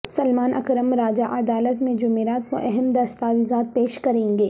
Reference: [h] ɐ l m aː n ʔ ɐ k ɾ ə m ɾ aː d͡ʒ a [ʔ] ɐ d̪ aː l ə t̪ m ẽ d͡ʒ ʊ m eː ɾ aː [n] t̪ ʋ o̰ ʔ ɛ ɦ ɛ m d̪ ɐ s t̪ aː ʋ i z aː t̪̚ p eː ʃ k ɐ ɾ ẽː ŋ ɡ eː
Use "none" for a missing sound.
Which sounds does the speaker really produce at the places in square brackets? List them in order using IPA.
s, ʔ, none

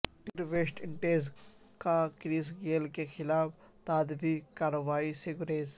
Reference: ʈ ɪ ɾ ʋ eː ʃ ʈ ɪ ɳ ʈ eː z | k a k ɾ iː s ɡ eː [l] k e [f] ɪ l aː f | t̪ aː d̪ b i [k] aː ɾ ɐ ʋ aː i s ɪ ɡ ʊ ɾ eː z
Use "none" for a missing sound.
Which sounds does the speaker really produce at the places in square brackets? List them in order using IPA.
l, x, k

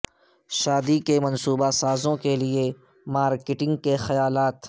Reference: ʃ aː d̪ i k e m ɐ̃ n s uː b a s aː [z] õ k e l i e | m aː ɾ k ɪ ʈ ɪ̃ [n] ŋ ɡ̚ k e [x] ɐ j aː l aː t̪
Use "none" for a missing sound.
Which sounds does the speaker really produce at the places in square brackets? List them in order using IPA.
z, none, x

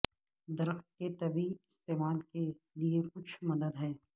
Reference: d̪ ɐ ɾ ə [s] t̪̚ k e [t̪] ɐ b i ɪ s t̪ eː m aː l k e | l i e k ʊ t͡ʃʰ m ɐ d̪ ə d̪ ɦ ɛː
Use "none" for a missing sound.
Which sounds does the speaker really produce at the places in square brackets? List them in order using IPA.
x, t̪

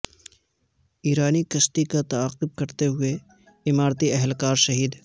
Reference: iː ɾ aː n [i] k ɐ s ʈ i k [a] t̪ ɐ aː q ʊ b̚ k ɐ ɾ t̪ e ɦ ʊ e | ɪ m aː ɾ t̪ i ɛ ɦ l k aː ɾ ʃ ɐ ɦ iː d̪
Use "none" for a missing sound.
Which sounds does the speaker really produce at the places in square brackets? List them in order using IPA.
i, a

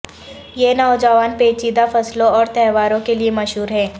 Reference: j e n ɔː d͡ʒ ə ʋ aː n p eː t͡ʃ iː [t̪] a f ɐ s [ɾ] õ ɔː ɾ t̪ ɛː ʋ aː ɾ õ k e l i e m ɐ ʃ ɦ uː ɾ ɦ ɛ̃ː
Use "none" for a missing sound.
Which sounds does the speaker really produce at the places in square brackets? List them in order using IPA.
d̪, l

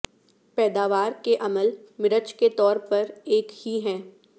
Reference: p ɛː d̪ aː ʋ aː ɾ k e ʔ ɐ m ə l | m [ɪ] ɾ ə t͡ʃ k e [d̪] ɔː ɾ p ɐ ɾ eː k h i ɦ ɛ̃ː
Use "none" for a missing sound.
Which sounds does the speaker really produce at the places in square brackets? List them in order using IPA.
ɪ, t̪

